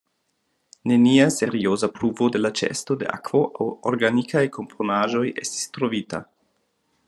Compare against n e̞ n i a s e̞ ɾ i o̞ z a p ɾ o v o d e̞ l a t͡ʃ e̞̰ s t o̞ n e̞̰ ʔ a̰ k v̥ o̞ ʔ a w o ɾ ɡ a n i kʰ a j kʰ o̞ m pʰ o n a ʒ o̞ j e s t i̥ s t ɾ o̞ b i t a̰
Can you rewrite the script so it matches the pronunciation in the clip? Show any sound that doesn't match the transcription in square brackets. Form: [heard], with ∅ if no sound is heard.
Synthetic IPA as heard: n e̞ n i a s e̞ ɾ i o̞ z a p ɾ [u] v o d e̞ l a t͡ʃ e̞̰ s t o̞ [d] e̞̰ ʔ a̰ k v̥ o̞ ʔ a w o ɾ ɡ a n i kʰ a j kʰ o̞ m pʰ o n a ʒ o̞ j e s t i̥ s t ɾ o̞ [v] i t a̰